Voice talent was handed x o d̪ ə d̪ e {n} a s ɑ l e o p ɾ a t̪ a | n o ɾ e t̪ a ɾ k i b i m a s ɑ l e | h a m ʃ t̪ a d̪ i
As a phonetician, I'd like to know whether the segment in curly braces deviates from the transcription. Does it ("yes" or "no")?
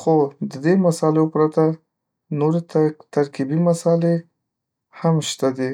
yes